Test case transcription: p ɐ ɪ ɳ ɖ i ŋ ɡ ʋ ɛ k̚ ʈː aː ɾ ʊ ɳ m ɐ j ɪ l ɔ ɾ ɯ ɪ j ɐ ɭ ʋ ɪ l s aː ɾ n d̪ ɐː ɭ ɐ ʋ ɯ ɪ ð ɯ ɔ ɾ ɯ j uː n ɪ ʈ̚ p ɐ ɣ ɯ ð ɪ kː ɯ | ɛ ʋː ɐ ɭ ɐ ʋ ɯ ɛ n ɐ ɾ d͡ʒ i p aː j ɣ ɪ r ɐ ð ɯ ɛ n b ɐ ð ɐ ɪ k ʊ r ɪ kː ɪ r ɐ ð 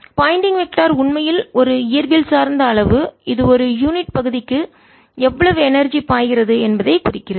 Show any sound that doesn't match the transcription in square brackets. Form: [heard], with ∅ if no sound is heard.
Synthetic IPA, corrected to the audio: p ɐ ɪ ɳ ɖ [ɪ] ŋ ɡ ʋ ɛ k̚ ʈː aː ɾ ʊ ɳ m ɐ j ɪ l ɔ ɾ ɯ ɪ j ɐ [ɾ] ʋ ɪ l s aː ɾ n d̪ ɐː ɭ ɐ ʋ ɯ ɪ ð ɯ ɔ ɾ ɯ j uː n ɪ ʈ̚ p ɐ ɣ ɯ ð ɪ kː ɯ | ɛ ʋː ɐ ɭ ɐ ʋ ɯ ɛ n ɐ ɾ d͡ʒ i p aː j ɣ ɪ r ɐ ð ɯ ɛ n b ɐ ð ɐ ɪ k ʊ r ɪ kː ɪ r ɐ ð